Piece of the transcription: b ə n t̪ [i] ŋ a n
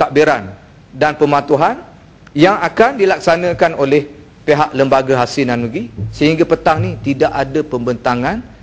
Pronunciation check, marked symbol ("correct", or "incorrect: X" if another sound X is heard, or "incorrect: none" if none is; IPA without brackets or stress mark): incorrect: a